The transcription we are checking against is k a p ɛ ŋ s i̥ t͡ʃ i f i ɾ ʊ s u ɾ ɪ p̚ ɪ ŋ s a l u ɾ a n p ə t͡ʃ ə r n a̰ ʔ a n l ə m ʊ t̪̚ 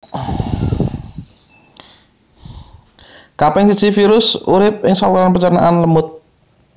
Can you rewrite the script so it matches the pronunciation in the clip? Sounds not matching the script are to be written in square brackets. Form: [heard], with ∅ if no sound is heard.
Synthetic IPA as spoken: k a p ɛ ŋ s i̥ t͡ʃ i f i ɾ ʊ s u ɾ ɪ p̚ ɪ ŋ s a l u ɾ a n p ə t͡ʃ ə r n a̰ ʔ a n l ə m ʊ t̪̚